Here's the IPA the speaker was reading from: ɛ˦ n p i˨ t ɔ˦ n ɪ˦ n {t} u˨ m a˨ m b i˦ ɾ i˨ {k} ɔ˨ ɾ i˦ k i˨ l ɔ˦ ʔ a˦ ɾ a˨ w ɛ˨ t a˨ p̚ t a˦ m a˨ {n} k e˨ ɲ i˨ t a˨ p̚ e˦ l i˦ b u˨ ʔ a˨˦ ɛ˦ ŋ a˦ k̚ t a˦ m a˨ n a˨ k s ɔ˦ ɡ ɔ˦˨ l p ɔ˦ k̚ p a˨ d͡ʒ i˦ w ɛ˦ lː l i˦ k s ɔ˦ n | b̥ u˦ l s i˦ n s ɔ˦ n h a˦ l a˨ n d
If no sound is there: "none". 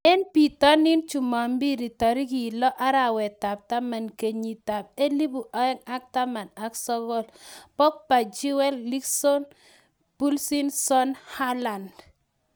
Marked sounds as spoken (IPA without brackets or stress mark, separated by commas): t͡ʃ, t, n